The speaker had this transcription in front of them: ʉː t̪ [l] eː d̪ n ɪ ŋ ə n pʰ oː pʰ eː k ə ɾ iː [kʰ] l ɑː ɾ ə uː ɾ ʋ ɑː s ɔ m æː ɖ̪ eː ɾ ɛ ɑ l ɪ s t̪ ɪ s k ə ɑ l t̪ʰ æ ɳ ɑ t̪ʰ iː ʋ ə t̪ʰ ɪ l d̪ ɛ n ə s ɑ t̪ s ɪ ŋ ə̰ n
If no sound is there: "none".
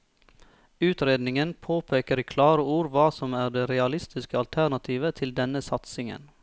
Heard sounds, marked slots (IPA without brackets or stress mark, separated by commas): ɾ, kʰ